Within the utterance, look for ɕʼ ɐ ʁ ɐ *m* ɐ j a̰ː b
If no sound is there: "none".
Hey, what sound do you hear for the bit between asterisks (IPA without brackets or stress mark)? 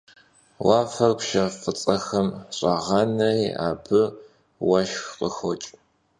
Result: n